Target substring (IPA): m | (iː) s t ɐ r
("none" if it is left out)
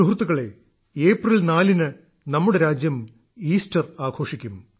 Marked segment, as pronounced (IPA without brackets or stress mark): iː